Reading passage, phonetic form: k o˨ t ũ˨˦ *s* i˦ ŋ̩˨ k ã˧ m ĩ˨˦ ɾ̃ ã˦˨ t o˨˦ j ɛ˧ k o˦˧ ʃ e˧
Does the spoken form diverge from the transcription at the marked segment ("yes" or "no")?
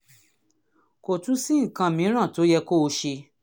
no